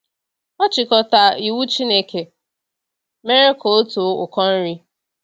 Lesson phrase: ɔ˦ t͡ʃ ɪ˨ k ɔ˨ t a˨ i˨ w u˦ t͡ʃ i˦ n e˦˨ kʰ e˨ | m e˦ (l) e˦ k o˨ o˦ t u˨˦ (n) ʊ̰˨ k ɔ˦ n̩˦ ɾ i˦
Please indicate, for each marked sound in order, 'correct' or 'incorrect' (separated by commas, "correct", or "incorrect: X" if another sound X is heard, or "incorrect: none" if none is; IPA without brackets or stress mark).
incorrect: ɾ, incorrect: none